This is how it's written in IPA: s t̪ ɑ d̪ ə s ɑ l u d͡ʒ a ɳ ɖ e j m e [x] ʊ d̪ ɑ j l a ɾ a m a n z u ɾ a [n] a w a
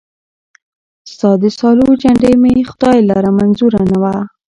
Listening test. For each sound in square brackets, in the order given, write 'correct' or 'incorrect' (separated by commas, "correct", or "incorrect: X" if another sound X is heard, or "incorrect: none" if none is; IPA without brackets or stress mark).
correct, correct